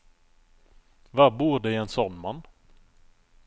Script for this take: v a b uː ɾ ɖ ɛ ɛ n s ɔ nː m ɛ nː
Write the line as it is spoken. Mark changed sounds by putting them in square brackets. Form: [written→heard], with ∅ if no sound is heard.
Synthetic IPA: v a b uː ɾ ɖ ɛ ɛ n s ɔ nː m [ɛ→a] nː